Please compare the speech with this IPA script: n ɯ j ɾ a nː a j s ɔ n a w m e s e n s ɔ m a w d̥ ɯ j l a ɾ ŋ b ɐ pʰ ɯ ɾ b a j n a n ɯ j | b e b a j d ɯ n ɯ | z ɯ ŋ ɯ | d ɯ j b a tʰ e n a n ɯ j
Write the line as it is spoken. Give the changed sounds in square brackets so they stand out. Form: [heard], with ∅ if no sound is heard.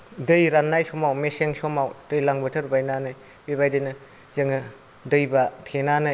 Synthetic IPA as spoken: [d] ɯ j ɾ a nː a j s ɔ [m] a w m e s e [ŋ] s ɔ m a w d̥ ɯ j l a [∅] ŋ b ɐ [tʰ] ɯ ɾ b a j n a n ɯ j | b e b a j d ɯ n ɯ | z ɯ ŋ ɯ | d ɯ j b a tʰ e n a n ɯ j